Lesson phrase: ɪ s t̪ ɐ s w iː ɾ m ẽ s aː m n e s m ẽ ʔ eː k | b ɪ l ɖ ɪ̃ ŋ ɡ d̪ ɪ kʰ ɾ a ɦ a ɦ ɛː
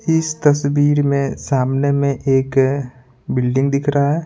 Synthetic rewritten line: ɪ s t̪ ɐ s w iː ɾ m ẽ s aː m n e m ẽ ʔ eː k | b ɪ l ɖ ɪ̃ ŋ ɡ d̪ ɪ kʰ ɾ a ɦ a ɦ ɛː